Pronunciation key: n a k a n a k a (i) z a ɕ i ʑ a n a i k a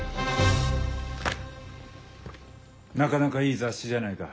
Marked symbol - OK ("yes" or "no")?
no